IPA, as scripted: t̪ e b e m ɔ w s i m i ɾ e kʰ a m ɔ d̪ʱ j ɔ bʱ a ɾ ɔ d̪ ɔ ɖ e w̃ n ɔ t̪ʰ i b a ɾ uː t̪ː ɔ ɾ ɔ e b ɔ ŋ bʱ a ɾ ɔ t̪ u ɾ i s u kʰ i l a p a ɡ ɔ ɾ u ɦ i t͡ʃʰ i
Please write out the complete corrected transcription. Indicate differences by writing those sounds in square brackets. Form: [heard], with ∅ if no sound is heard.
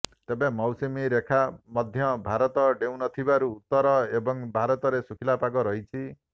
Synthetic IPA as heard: t̪ e b e m ɔ w s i m i ɾ e kʰ a m ɔ d̪ʱ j ɔ bʱ a ɾ ɔ [t̪] ɔ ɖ e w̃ n ɔ t̪ʰ i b a ɾ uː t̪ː ɔ ɾ ɔ e b ɔ ŋ bʱ a ɾ ɔ t̪ [ɔ] ɾ [e] s u kʰ i l a p a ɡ ɔ ɾ [ɔ] ɦ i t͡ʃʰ i